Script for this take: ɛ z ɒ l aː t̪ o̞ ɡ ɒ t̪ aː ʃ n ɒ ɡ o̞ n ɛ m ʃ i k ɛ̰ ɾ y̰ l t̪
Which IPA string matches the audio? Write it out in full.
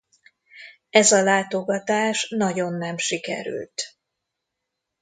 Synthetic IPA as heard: ɛ z ɒ l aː t̪ o̞ ɡ ɒ t̪ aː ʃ n ɒ ɟ o̞ nː ɛ m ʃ i k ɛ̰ ɾ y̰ l t̪